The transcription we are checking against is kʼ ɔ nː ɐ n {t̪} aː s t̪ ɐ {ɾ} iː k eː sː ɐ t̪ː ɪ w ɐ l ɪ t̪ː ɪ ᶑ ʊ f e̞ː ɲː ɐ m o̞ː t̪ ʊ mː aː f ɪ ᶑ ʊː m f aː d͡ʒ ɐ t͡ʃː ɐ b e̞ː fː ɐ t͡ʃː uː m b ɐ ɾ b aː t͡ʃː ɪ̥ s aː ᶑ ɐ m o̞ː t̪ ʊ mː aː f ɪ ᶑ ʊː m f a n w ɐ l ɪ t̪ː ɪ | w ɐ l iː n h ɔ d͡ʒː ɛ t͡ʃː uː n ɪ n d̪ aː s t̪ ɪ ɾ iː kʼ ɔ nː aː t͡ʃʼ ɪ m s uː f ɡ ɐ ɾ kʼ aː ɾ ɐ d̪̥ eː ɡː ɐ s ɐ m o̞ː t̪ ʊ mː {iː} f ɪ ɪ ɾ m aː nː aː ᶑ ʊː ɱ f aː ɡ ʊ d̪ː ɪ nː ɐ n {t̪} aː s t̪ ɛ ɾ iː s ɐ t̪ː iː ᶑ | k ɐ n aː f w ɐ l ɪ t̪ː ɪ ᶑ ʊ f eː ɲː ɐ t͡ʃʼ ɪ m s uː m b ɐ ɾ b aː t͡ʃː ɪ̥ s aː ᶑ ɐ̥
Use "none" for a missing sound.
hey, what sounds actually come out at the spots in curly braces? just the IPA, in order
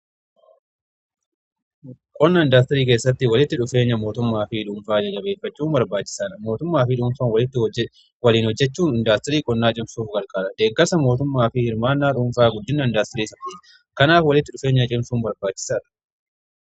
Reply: d̪, ɾ, aː, d̪

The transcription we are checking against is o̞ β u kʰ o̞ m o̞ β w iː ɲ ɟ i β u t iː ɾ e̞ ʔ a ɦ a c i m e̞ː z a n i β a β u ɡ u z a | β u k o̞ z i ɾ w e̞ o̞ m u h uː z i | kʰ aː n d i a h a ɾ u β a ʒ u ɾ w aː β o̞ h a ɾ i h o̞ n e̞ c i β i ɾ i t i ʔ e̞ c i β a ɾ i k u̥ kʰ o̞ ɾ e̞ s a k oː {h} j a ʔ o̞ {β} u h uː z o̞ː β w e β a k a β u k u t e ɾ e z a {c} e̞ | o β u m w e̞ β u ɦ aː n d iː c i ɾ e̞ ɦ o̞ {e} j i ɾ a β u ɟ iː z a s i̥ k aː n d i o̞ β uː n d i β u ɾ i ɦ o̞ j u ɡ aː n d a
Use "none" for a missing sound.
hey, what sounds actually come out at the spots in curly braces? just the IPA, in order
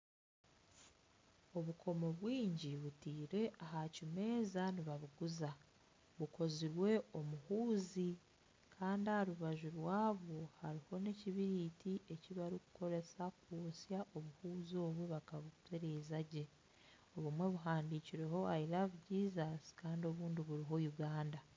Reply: s, β, ɟ, a

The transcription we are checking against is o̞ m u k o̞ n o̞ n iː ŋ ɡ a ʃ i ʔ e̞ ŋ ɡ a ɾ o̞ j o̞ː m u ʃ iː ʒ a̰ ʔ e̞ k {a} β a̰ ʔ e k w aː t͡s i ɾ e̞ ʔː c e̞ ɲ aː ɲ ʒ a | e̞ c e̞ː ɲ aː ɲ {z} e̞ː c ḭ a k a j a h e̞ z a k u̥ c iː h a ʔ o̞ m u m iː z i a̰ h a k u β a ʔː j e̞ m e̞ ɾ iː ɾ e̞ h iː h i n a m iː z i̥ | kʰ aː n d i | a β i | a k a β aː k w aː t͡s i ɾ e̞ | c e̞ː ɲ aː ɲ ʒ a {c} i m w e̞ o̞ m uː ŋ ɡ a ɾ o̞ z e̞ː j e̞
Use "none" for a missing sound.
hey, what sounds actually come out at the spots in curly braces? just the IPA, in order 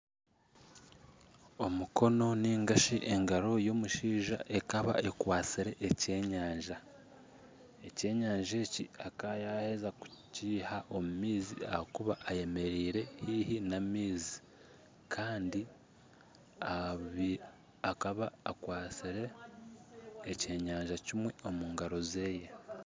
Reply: a, ʒ, c

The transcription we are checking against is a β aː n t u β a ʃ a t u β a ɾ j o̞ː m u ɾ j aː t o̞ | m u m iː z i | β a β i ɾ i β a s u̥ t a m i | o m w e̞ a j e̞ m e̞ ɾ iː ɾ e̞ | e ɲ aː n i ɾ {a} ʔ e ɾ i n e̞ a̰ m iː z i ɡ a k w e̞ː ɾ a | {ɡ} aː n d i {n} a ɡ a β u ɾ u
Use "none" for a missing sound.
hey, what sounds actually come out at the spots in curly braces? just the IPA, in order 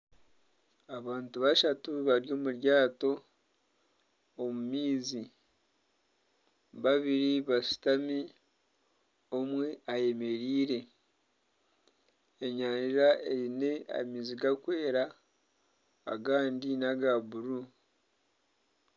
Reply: a, ɡ, n

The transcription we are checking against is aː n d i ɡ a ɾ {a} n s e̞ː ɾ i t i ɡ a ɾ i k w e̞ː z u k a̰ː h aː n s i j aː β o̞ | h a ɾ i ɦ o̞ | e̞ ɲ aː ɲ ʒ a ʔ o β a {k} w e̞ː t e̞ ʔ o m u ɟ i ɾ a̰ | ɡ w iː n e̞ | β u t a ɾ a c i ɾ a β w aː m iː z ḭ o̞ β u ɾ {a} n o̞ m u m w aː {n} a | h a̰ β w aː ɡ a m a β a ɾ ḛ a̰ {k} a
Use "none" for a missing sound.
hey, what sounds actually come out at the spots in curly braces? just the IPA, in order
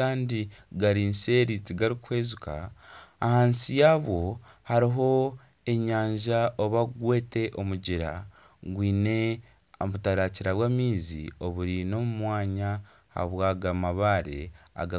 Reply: i, ɡ, i, ɲ, ɡ

